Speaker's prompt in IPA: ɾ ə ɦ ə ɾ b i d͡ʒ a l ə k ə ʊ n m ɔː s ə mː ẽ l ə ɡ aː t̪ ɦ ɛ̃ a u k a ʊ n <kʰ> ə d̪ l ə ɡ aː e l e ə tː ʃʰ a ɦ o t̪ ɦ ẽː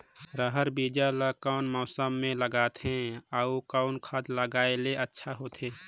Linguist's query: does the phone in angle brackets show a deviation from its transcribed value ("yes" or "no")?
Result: no